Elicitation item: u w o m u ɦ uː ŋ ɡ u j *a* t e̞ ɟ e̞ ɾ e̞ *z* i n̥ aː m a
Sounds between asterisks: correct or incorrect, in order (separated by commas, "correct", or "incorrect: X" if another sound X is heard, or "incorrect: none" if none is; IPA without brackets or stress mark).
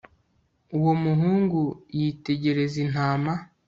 incorrect: i, correct